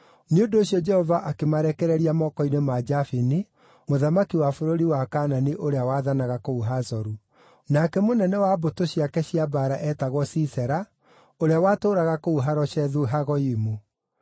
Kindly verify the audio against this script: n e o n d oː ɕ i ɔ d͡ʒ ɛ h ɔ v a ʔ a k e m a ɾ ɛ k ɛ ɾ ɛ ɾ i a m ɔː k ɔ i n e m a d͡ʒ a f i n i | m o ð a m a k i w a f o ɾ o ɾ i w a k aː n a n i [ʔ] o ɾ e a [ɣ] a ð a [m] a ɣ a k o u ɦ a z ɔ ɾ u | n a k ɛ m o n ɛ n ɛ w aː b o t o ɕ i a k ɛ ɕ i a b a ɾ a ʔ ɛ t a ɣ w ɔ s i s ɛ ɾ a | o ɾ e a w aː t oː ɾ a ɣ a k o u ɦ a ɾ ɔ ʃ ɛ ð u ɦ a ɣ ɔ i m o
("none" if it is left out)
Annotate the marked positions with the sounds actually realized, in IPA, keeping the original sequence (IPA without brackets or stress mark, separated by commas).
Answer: ʔ, w, n